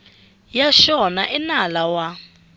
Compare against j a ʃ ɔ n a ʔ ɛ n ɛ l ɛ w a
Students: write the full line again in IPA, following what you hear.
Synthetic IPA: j a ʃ ɔ n a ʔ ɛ n a l a w a